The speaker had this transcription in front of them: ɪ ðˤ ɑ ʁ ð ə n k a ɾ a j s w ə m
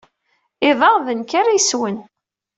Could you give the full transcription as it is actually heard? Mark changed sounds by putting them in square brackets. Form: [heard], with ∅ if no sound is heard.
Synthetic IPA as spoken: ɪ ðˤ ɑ ʁ ð ə n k a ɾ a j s w ə [n]